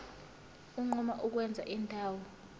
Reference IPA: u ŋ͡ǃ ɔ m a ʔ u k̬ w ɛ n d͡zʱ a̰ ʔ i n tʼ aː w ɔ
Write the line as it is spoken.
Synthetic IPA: u ŋ͡ǃ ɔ m a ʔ u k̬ w ɛ n d͡zʱ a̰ ʔ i n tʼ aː w ɔ